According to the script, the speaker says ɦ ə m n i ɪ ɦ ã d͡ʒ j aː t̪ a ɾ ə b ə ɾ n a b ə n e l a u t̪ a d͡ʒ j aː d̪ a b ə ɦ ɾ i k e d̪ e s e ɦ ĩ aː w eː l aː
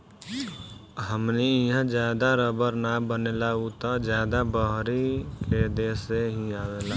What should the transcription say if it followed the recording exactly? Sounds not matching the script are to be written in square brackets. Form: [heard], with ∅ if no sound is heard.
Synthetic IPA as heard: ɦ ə m n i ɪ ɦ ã d͡ʒ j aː [d̪] a ɾ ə b ə ɾ n a b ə n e l a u t̪ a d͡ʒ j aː d̪ a b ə ɦ ɾ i k e d̪ e s e ɦ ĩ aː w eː l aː

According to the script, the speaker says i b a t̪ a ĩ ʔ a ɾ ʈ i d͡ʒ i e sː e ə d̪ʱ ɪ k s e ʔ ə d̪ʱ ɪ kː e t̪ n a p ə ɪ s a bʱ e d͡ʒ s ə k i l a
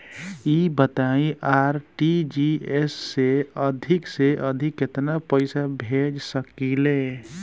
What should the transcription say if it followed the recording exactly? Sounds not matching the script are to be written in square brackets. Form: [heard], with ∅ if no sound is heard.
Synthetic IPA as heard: i b [ə] t̪ a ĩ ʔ a ɾ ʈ i d͡ʒ i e sː e ə d̪ʱ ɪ k s e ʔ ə d̪ʱ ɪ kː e t̪ n a p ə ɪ s a bʱ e d͡ʒ s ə k i l [e]

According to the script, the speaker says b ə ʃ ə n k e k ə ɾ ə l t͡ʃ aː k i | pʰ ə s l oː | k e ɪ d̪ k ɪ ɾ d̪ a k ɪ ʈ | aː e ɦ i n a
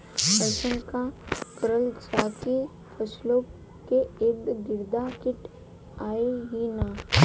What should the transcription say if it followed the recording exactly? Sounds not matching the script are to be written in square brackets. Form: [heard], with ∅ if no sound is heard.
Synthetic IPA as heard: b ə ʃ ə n k [a] k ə ɾ ə l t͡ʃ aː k i | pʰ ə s l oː | k e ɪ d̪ [ɡ] ɪ ɾ d̪ a k ɪ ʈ | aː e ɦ i n a

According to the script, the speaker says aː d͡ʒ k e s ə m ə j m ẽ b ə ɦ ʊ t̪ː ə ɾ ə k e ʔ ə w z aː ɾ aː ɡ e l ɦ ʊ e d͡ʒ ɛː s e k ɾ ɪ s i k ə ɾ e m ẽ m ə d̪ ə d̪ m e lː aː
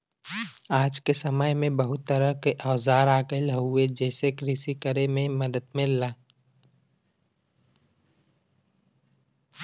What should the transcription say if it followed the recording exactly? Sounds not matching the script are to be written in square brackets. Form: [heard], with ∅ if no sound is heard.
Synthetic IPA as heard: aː d͡ʒ k e s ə m ə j m ẽ b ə ɦ ʊ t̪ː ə ɾ ə k e ʔ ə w z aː ɾ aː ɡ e l ɦ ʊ e d͡ʒ ɛː s e k ɾ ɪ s i k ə ɾ e m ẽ m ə d̪ ə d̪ m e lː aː

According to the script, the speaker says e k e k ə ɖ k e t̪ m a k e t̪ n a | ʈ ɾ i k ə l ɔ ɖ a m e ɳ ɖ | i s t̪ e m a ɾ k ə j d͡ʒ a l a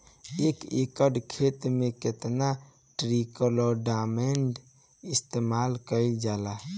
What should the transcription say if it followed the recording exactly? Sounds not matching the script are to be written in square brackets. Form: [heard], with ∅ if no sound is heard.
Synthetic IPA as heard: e k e k ə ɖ [kʰ] e t̪ m [e] k e t̪ n a | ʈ ɾ i k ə l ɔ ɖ a m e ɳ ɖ | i s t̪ e m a [l] k ə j d͡ʒ a l a

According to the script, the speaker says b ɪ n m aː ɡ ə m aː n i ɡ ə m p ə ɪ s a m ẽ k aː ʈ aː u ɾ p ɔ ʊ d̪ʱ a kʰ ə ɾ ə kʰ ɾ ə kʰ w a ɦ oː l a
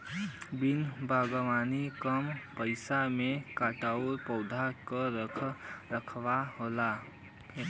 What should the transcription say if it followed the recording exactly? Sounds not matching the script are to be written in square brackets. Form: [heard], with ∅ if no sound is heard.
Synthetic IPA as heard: b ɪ n [b] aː ɡ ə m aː n i [k] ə m p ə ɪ s a m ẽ k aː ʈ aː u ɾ p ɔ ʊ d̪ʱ a [k] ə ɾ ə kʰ ɾ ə kʰ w a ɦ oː l a

